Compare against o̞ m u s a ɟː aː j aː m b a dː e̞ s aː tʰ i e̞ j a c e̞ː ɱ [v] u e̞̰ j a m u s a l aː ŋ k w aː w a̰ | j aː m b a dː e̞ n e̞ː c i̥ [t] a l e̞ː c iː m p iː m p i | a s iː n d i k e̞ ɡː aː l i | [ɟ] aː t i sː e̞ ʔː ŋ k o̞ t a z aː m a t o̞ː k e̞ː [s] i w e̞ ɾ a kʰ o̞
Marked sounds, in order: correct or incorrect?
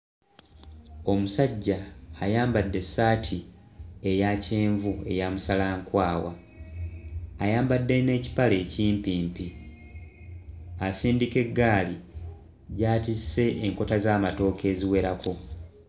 correct, incorrect: p, correct, incorrect: z

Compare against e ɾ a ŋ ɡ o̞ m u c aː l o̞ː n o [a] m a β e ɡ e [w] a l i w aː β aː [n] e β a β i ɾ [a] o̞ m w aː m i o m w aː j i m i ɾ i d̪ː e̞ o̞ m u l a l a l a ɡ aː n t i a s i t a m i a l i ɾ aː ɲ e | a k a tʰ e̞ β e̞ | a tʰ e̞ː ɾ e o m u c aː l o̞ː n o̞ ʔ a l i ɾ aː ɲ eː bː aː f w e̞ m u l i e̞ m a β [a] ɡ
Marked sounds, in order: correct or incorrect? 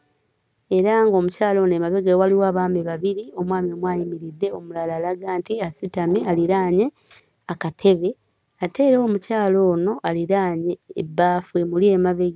incorrect: e, correct, incorrect: m, incorrect: i, incorrect: e

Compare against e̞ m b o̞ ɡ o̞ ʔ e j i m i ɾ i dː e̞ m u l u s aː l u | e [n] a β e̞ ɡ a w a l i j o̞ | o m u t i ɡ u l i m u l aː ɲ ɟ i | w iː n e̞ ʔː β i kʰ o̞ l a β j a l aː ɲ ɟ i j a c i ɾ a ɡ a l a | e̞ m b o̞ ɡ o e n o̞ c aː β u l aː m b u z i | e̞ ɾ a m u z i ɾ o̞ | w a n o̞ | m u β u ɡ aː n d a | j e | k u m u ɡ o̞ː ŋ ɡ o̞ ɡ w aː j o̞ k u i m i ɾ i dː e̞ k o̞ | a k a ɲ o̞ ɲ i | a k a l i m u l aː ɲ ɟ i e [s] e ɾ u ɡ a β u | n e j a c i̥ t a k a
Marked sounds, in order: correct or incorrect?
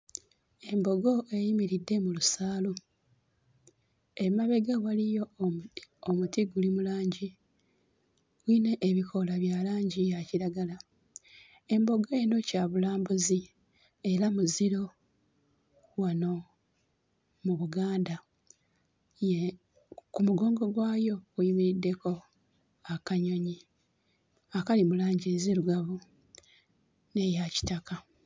incorrect: m, incorrect: z

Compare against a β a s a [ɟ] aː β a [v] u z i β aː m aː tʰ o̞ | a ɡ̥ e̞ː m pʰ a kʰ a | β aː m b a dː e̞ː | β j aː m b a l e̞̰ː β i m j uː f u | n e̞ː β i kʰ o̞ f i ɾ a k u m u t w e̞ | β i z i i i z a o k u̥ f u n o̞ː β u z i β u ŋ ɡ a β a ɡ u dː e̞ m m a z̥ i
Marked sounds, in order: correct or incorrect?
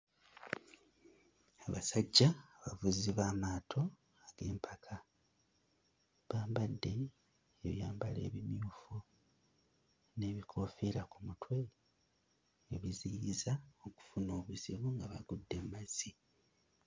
incorrect: ɟː, correct

